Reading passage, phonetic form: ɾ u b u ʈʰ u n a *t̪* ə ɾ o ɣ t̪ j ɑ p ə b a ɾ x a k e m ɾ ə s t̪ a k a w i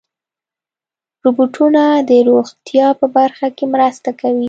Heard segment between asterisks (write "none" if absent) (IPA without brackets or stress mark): d̪